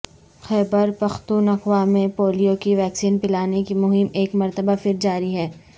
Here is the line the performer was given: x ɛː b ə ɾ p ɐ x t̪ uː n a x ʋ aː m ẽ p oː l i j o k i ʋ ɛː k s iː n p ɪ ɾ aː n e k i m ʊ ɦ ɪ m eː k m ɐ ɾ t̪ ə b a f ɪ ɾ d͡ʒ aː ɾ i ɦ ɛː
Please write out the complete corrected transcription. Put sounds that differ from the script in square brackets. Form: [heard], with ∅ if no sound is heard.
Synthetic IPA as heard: x ɛː b ə ɾ p ɐ x t̪ uː n [ɐ] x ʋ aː m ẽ p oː l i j o k i ʋ ɛː k s iː n p ɪ [l] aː n e k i m ʊ ɦ ɪ m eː k m ɐ ɾ t̪ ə b a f ɪ ɾ d͡ʒ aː ɾ i ɦ ɛː